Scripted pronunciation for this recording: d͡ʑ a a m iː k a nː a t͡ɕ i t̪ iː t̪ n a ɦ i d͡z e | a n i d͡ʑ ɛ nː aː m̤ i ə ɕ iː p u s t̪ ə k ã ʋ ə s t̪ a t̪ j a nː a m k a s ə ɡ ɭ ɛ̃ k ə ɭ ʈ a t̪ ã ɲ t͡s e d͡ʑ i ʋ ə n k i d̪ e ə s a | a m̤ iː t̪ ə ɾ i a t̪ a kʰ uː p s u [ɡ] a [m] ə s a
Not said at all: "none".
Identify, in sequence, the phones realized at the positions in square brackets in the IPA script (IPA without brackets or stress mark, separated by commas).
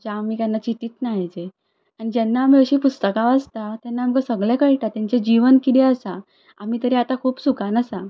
k, n